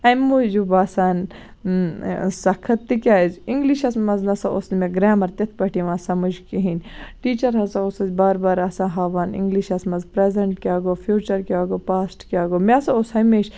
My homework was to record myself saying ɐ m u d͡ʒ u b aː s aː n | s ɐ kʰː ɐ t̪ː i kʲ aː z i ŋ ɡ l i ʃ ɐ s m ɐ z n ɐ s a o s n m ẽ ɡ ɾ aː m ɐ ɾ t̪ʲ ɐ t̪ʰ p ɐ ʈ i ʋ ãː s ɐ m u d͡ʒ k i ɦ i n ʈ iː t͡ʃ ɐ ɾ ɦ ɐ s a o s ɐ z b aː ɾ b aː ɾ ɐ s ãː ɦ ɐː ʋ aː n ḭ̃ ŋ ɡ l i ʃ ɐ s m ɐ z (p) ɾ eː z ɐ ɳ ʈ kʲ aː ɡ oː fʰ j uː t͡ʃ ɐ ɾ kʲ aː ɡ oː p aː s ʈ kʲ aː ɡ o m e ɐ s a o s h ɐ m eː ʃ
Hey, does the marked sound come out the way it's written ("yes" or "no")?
yes